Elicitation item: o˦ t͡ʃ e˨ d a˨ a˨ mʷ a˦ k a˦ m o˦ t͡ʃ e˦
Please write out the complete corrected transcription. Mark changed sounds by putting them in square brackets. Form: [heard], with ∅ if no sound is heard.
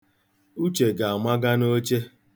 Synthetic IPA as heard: [u˦] t͡ʃ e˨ [ɡ] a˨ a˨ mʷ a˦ [ɡ] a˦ [n] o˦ t͡ʃ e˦

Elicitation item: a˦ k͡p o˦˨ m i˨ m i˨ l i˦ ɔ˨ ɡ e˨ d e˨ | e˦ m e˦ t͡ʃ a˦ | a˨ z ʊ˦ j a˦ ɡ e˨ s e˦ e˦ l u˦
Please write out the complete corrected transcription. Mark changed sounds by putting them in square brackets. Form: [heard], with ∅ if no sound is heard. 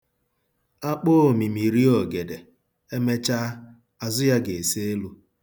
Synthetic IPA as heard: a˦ k͡p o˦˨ m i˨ m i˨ [ɾ] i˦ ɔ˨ ɡ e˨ d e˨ | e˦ m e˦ t͡ʃ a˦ | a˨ z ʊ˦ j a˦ ɡ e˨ s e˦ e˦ l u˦

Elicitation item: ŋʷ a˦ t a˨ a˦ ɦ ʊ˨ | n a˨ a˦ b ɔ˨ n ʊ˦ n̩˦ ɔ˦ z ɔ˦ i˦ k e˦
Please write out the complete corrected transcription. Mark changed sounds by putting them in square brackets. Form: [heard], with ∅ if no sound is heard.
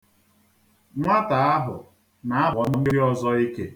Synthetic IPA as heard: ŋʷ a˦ t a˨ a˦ ɦ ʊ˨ | n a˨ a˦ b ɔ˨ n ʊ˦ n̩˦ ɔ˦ z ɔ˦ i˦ k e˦

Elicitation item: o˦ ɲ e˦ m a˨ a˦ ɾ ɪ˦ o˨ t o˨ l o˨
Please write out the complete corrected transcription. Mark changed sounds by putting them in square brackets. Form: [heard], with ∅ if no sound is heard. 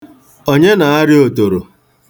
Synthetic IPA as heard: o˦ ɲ e˦ [n] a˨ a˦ ɾ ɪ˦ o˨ t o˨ [ɾ] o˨

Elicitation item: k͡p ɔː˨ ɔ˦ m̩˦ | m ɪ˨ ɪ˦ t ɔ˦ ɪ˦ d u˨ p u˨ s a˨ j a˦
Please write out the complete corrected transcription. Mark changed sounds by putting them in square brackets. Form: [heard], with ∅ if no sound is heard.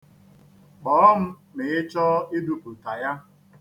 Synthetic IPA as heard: k͡p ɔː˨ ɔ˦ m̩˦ | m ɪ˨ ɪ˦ [t͡ʃ] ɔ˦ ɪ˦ d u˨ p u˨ [t] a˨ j a˦

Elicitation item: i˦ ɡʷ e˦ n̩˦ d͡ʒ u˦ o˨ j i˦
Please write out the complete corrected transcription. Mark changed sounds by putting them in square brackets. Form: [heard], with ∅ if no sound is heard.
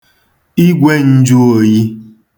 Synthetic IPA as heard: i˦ ɡʷ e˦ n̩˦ d͡ʒ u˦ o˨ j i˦

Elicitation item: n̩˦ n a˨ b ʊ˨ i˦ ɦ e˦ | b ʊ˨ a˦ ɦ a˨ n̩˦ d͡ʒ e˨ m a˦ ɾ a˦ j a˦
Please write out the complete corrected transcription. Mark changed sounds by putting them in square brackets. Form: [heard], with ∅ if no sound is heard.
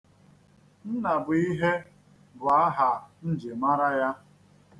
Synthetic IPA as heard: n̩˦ n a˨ b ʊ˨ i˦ ɦ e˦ | b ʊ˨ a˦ ɦ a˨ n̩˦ d͡ʒ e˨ m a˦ ɾ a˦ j a˦

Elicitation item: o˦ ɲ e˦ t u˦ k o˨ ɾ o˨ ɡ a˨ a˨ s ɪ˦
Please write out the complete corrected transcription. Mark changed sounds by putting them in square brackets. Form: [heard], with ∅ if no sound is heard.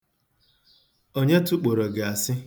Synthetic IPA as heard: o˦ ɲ e˦ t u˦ [k͡p] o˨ ɾ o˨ ɡ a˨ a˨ s ɪ˦

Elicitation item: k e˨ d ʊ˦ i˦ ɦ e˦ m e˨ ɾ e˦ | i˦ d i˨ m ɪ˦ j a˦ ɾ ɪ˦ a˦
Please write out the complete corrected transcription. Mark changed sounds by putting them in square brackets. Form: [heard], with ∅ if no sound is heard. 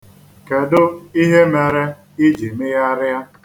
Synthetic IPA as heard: k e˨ d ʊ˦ i˦ ɦ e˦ m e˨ ɾ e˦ | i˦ [d͡ʒ] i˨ m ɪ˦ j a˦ ɾ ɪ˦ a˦

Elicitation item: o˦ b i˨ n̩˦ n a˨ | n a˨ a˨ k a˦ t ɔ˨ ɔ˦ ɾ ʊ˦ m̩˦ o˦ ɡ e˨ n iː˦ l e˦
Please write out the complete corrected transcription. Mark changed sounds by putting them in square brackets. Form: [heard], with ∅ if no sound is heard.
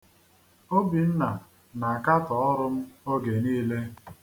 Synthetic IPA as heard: o˦ b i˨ n̩˦ n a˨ | n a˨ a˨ k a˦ t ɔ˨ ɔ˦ ɾ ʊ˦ m̩˦ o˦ ɡ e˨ n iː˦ l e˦

